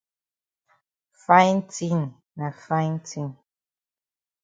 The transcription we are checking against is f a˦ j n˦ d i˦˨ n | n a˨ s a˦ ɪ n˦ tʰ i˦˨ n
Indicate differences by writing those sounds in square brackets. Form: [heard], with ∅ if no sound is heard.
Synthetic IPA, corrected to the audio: f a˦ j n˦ [t] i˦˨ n | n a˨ [f] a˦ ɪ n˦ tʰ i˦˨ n